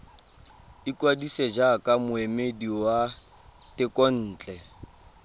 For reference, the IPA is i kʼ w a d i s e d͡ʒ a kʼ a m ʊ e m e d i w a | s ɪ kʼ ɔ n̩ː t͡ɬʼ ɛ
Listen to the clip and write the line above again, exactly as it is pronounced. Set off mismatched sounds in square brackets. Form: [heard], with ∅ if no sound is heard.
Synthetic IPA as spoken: i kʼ w a d i s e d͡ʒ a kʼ a m ʊ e m e d i w a | [t] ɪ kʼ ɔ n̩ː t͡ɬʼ ɛ